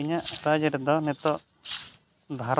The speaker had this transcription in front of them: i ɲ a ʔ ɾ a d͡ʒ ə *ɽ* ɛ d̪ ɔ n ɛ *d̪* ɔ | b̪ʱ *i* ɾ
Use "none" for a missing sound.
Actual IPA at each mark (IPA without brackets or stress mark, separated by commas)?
ɾ, t̪, a